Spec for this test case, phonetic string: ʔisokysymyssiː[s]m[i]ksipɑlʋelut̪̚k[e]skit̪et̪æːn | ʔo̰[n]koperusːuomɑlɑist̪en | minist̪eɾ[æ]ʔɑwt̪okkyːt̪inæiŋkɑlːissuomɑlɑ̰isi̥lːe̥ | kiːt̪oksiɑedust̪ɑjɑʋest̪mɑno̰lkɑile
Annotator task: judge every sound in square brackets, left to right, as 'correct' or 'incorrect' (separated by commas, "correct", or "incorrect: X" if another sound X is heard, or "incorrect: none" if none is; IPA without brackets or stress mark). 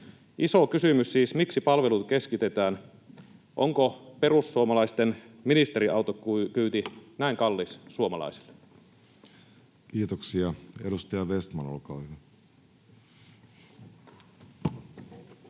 correct, correct, correct, incorrect: ŋ, incorrect: i